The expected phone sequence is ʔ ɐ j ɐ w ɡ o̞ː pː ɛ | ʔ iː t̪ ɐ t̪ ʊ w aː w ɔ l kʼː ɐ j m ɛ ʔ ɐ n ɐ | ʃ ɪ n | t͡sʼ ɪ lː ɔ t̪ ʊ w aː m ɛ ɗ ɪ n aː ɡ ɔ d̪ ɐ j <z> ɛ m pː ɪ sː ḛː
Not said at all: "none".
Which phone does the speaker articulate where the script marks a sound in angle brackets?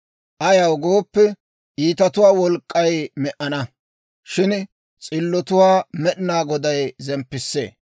z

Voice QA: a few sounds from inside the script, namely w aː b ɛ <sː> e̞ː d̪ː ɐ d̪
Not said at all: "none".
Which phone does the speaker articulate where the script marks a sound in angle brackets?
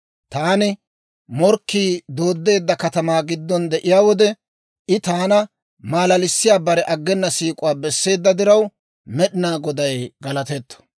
sː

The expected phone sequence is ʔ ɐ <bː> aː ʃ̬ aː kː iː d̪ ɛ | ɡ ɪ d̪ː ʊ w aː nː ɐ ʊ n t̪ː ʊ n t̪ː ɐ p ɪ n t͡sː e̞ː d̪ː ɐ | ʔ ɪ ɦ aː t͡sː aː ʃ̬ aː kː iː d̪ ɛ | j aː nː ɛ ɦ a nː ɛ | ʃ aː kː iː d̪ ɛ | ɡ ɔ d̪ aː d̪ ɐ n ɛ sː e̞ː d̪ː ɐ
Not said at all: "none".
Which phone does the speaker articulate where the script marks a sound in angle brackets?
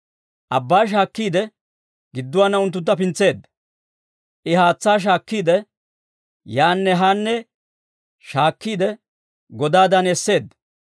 bː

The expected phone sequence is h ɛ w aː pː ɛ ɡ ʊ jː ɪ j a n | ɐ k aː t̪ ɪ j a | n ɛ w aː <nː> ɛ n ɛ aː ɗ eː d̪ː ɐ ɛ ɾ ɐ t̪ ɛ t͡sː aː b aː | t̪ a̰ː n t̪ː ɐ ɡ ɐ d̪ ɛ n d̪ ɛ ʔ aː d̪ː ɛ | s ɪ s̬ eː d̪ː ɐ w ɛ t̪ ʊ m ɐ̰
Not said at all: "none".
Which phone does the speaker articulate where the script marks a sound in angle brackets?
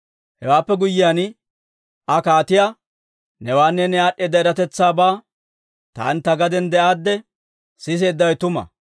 nː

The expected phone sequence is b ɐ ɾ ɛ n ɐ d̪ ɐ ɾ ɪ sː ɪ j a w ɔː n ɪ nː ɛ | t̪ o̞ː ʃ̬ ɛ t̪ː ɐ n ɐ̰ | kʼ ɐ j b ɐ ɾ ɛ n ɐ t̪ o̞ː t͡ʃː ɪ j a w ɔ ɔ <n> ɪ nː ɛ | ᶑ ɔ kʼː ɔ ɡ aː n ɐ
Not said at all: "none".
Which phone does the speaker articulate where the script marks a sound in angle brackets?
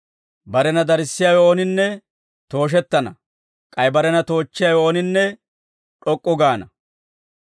n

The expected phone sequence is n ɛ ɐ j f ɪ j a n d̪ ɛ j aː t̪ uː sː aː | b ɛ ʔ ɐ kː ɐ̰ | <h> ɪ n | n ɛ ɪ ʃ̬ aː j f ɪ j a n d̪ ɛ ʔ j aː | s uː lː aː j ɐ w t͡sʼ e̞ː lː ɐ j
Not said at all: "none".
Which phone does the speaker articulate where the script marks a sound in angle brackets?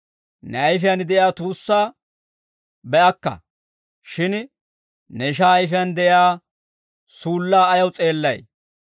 ʃ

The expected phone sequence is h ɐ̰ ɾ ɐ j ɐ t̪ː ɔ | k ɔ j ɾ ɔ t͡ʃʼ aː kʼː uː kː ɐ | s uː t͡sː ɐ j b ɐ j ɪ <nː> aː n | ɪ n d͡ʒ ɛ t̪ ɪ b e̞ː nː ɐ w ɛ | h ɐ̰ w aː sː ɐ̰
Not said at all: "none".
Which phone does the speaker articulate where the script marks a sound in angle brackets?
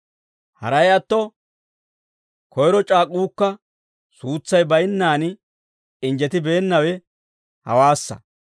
nː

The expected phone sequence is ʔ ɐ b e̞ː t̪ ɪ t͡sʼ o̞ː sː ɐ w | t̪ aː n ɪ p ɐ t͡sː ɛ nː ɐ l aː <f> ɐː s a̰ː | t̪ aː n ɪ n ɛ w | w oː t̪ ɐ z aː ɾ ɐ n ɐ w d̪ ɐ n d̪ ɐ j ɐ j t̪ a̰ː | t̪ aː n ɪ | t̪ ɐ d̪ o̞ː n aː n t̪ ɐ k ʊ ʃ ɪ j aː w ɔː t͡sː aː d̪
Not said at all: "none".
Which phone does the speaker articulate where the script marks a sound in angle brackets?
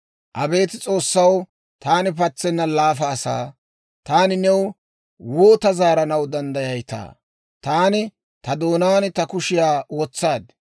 f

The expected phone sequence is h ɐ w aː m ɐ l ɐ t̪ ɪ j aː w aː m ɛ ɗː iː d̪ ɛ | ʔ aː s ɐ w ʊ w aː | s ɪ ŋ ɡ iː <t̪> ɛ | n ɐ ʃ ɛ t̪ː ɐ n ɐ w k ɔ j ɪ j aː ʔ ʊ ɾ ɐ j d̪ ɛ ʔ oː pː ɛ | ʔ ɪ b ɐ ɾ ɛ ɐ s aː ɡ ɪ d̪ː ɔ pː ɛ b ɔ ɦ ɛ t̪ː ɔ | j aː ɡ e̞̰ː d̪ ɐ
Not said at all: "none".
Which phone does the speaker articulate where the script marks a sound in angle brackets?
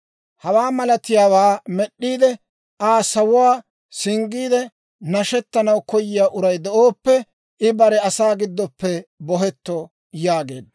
d̪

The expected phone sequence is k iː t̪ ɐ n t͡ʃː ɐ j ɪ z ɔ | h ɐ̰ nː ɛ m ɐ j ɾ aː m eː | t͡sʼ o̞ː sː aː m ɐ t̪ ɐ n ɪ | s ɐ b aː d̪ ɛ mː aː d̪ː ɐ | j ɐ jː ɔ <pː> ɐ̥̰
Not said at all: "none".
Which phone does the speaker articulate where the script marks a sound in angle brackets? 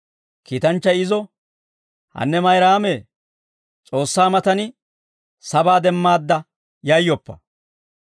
pː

